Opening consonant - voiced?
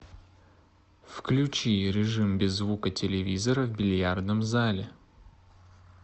no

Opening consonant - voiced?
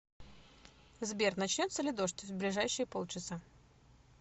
yes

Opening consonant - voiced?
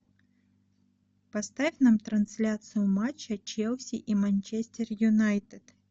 no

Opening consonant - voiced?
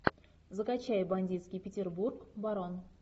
yes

